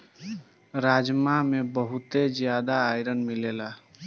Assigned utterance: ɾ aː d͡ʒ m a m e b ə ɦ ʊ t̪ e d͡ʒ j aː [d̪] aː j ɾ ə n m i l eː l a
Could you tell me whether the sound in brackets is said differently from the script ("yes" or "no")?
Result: no